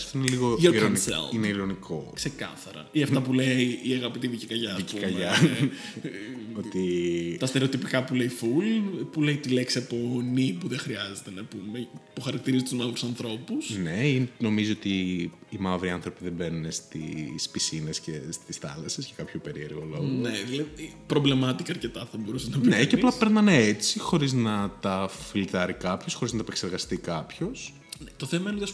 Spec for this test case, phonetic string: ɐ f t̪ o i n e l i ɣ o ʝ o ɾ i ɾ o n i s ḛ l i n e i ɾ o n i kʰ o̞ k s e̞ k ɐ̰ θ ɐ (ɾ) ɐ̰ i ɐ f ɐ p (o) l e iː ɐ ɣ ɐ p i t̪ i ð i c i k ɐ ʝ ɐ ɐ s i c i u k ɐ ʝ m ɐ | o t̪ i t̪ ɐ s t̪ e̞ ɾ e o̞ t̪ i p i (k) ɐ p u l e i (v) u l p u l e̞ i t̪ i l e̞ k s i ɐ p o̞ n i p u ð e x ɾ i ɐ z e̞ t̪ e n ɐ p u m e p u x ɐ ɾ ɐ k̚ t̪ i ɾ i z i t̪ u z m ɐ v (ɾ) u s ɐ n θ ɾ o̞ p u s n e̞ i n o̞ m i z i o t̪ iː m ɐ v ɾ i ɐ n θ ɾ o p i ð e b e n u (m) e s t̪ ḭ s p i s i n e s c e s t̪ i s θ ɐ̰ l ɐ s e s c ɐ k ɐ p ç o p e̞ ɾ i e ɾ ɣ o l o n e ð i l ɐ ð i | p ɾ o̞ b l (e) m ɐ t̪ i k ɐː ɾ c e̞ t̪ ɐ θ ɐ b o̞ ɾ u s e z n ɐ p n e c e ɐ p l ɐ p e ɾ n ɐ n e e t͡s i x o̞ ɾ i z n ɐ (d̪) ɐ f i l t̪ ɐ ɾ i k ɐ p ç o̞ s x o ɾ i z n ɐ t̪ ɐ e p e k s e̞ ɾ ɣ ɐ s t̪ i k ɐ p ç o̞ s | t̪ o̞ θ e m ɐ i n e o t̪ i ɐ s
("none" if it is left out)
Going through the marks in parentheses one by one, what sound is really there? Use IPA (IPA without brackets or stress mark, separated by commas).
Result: ɾ, u, k, f, ɾ, n, e, t̪